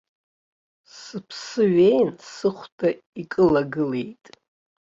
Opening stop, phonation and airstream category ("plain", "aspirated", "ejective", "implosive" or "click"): aspirated